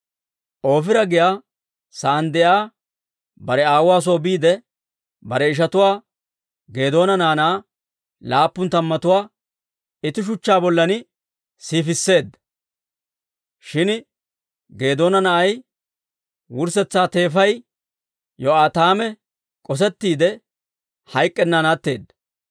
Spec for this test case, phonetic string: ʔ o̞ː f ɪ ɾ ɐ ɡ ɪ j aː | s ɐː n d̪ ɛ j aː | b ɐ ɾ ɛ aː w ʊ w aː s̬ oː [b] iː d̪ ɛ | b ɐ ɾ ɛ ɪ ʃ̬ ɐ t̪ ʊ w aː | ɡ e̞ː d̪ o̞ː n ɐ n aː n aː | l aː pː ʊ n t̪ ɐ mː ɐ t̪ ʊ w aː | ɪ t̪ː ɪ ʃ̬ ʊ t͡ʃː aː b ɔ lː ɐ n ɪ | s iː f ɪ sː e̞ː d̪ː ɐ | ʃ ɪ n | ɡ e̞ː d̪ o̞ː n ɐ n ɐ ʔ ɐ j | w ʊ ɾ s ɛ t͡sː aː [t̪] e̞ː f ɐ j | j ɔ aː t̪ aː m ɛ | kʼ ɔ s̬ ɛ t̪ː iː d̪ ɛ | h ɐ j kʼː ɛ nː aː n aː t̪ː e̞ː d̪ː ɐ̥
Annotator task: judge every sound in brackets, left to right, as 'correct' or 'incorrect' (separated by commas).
correct, correct